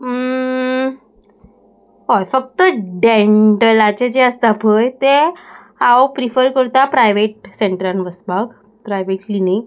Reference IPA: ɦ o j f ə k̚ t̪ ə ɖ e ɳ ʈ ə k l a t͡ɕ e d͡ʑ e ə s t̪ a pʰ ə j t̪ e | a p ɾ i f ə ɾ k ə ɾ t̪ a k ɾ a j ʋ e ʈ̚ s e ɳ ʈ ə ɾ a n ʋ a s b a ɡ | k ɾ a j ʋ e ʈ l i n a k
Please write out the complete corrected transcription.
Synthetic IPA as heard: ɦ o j f ə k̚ t̪ ə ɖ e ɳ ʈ ə l a t͡ɕ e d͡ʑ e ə s t̪ a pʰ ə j t̪ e | a p ɾ i f ə ɾ k ə ɾ t̪ a p ɾ a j ʋ e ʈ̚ s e ɳ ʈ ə ɾ a n ʋ ə s b a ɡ | p ɾ a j ʋ e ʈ l i n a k

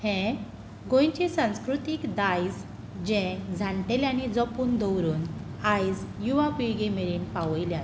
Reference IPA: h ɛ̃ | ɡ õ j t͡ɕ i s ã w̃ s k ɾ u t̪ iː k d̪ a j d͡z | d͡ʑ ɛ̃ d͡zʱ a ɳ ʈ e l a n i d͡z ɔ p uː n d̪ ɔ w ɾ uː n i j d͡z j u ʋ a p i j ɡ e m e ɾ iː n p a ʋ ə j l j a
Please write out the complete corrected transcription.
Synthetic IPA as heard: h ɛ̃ | ɡ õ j t͡ɕ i s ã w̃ s k ɾ u t̪ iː k d̪ a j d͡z | d͡ʑ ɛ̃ d͡zʱ a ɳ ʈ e l a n i d͡z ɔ p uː n d̪ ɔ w ɾ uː n a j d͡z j u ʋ a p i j ɡ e m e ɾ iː n p a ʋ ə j l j a

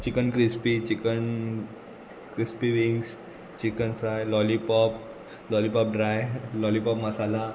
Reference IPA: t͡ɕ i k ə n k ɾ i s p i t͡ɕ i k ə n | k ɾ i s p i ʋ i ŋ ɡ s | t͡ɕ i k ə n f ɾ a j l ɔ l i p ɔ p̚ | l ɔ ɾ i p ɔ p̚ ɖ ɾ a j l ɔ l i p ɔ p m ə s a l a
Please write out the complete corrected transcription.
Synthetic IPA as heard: t͡ɕ i k ə n k ɾ i s p i t͡ɕ i k ə n | k ɾ i s p i ʋ i ŋ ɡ s | t͡ɕ i k ə n f ɾ a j l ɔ l i p ɔ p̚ | l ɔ l i p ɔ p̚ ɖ ɾ a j l ɔ l i p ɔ p m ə s a l a

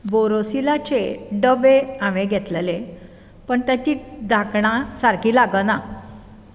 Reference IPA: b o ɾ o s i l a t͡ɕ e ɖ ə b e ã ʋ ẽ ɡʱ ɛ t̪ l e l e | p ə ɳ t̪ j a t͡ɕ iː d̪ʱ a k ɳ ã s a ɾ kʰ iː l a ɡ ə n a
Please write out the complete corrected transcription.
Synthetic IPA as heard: b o ɾ o s i l a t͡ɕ e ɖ ə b e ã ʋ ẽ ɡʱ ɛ t̪ l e l e | p ə ɳ t̪ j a t͡ɕ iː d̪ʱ a k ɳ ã s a ɾ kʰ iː l a ɡ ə n a

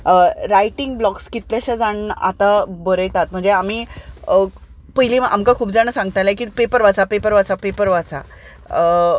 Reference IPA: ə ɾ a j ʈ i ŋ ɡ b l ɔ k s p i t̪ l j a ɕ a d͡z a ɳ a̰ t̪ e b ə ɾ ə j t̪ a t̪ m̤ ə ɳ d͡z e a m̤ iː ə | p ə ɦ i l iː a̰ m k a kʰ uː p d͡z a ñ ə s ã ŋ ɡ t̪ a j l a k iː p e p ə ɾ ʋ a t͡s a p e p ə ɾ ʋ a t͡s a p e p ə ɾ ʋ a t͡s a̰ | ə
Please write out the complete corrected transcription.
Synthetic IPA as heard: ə ɾ a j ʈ i ŋ ɡ b l ɔ k s k i t̪ l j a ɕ a d͡z a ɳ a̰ t̪ a b ə ɾ ə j t̪ a t̪ m̤ ə ɳ d͡z e a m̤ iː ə | p ə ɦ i l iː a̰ m k a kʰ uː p d͡z a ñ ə s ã ŋ ɡ t̪ a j l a k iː p e p ə ɾ ʋ a t͡s a p e p ə ɾ ʋ a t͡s a p e p ə ɾ ʋ a t͡s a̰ | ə

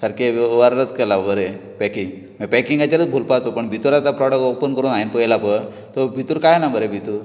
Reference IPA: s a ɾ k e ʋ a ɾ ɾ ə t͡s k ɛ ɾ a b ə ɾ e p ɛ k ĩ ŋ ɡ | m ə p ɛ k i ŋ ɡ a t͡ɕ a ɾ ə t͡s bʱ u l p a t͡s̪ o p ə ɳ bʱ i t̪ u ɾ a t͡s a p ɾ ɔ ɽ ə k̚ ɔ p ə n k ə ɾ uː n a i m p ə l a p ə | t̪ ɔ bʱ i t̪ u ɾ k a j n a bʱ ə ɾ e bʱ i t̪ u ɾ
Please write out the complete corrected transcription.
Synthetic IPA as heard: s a ɾ k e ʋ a ɾ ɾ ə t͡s k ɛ l a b ə ɾ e p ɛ k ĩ ŋ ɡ | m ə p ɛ k i ŋ ɡ a t͡ɕ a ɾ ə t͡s bʱ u l p a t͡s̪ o p ə ɳ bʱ i t̪ u ɾ a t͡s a p ɾ ɔ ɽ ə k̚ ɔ p ə n k ə ɾ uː n a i n p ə l a p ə | t̪ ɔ bʱ i t̪ u ɾ k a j n a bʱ ə ɾ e bʱ i t̪ u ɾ

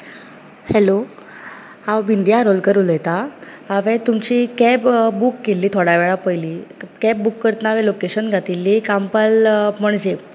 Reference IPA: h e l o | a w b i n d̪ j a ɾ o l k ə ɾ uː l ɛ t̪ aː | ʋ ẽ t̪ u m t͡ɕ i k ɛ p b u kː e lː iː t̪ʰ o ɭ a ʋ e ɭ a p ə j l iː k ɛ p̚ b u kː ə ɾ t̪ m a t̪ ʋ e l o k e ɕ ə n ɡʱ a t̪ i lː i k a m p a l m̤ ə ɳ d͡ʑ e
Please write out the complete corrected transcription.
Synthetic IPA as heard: h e l o | a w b i n d̪ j a ɾ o l k ə ɾ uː l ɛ t̪ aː | ʋ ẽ t̪ u m t͡ɕ i k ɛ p b u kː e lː iː t̪ʰ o ɽ a ʋ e ɭ a p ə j l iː k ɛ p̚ b u kː ə ɾ t̪ n a ʋ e l o k e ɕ ə n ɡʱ a t̪ i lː i k a m p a l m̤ ə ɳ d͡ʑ e

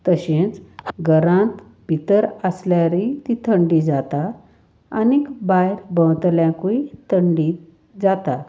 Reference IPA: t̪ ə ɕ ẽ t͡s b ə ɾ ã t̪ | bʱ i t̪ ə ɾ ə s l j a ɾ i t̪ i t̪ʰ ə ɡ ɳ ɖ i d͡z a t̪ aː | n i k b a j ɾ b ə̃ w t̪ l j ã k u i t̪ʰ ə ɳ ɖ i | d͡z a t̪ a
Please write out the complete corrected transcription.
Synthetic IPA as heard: t̪ ə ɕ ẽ t͡s ɡ ə ɾ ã t̪ | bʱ i t̪ ə ɾ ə s l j a ɾ i t̪ i t̪ʰ ə ɳ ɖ i d͡z a t̪ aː | n i k b a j ɾ b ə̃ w t̪ l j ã k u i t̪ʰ ə ɳ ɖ i | d͡z a t̪ a

